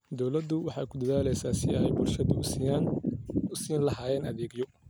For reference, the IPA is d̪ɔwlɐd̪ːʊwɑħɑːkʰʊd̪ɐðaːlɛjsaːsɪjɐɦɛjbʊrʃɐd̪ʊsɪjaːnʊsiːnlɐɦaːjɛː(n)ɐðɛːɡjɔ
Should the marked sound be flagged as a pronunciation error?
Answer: no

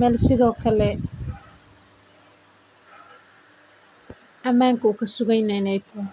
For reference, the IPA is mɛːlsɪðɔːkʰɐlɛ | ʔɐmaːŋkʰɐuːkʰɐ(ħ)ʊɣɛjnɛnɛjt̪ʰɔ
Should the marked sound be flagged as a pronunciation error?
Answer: yes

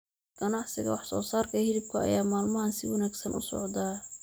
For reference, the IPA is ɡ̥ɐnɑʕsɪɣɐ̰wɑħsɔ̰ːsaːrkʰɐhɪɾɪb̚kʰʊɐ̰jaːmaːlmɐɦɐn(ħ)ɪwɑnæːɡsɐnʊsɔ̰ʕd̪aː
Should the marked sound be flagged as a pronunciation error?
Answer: yes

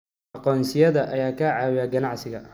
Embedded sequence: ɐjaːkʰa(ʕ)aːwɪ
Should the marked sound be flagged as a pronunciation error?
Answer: no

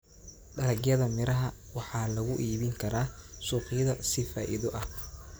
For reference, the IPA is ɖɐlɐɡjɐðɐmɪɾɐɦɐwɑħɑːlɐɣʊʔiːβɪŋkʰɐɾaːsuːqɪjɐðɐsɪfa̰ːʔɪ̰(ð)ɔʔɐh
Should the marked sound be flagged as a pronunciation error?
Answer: no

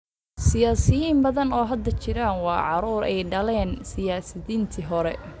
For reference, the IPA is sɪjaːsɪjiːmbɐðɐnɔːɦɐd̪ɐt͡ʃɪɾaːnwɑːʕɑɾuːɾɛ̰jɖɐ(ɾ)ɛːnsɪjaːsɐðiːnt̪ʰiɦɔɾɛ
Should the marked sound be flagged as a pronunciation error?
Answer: yes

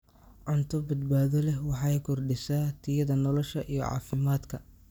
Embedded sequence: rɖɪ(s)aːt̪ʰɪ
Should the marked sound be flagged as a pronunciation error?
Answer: no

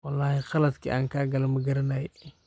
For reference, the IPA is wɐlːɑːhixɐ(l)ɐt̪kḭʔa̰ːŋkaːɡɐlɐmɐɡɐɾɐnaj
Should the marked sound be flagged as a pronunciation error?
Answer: no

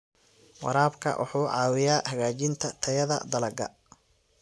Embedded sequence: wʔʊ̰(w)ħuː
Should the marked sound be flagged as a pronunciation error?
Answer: yes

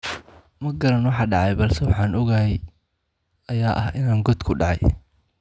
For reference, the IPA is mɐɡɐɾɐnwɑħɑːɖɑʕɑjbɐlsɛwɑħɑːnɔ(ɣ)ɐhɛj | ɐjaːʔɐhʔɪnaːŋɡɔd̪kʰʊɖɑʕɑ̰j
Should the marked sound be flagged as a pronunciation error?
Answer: no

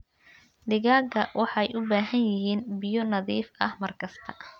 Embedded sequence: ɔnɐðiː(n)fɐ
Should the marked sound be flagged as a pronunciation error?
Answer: yes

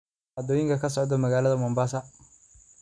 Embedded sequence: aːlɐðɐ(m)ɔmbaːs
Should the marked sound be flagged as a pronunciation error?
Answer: no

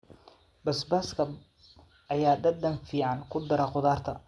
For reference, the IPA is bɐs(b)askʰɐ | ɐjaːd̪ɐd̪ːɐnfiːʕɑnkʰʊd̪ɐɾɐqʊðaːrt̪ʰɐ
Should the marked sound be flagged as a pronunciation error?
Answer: no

